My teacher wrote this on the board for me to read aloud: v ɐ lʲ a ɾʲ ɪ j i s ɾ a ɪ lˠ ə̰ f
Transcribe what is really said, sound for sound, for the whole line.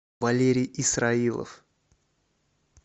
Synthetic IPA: v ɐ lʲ e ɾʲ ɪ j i s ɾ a i lˠ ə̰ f